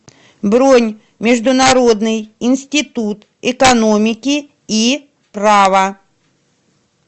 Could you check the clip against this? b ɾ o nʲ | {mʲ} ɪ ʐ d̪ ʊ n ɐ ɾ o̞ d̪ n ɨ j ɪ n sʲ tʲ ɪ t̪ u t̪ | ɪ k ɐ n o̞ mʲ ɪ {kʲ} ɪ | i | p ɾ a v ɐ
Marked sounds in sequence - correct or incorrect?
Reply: correct, correct

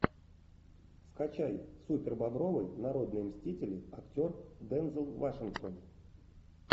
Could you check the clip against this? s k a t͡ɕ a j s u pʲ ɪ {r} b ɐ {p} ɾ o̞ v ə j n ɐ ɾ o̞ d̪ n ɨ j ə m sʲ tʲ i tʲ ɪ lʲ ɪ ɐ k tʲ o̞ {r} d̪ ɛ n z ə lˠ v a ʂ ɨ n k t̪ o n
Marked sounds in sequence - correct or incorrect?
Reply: correct, incorrect: b, correct

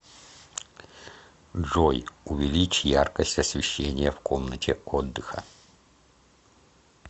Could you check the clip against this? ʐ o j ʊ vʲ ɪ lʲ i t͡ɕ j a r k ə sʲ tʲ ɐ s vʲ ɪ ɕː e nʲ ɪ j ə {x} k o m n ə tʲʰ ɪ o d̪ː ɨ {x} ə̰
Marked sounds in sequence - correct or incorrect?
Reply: incorrect: f, correct

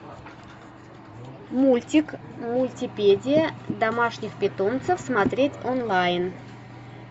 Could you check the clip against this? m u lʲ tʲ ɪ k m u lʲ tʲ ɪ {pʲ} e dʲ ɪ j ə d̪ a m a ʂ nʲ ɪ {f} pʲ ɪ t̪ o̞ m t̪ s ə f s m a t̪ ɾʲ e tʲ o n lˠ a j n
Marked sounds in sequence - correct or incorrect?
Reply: correct, incorrect: x

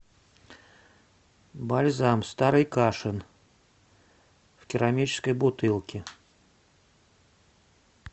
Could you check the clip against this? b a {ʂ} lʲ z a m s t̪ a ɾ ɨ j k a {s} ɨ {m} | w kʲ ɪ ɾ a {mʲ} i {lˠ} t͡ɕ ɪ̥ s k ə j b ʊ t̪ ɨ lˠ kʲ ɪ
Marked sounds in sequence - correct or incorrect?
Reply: incorrect: none, incorrect: ʂ, incorrect: n, correct, incorrect: none

